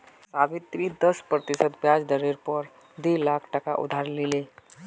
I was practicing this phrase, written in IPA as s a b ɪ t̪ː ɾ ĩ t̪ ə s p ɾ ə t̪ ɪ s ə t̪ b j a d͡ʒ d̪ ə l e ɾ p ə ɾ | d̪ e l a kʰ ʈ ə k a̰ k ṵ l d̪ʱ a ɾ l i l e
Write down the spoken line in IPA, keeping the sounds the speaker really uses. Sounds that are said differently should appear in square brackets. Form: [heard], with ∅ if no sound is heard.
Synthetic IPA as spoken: s a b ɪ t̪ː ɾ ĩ [d̪] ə s p ɾ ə t̪ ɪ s ə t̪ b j a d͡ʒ d̪ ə [ɾ] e ɾ p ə ɾ | d̪ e l a kʰ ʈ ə k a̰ [ʔ] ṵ [∅] d̪ʱ a ɾ l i l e